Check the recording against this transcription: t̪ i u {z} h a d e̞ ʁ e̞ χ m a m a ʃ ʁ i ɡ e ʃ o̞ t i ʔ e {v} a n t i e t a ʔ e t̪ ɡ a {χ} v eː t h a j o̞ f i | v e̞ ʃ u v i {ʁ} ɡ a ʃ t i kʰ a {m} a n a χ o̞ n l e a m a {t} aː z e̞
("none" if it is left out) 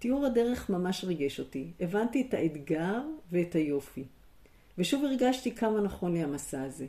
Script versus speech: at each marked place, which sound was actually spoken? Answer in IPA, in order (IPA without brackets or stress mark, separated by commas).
ʁ, v, ʁ, ʁ, m, s